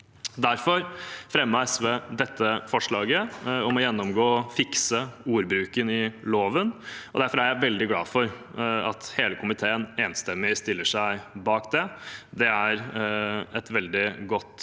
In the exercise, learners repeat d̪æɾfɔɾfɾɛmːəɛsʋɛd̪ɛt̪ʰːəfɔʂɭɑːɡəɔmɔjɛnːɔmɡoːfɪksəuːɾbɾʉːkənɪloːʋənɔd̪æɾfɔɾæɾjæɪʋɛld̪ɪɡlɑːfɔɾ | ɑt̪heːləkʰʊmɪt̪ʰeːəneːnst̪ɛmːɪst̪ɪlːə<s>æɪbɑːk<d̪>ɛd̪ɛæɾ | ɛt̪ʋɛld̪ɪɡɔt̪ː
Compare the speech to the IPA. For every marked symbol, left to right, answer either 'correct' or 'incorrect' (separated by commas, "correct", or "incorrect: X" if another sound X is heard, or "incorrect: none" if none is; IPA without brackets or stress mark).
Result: incorrect: ʂ, correct